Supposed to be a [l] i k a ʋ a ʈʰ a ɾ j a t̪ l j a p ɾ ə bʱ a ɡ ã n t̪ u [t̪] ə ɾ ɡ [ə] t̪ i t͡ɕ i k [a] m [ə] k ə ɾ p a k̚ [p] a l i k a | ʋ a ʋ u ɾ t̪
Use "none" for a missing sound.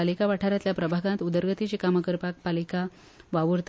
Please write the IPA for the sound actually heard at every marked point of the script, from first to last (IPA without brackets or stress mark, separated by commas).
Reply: l, d̪, ə, a, ə, p